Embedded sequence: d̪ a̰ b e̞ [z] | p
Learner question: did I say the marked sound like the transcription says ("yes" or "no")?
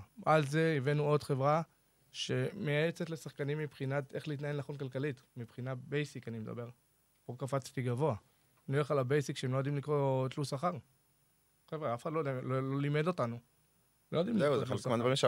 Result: no